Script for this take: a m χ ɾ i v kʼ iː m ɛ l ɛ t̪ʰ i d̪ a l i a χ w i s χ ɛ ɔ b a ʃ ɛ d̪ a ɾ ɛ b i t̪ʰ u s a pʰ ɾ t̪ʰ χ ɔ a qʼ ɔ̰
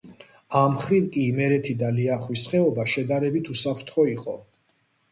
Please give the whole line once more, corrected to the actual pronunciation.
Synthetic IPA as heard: a m χ ɾ i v kʼ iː m ɛ ɾ ɛ t̪ʰ i d̪ a l i a χ w i s χ ɛ ɔ b a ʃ ɛ d̪ a ɾ ɛ b i t̪ʰ u s a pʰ ɾ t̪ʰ χ ɔ i qʼ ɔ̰